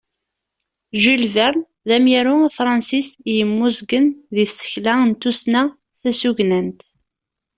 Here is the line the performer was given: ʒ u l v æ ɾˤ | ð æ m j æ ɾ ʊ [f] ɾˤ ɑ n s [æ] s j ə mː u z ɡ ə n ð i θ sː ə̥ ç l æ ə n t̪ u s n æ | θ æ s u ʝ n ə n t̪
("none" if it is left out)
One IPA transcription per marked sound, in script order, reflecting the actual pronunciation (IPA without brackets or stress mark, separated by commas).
f, i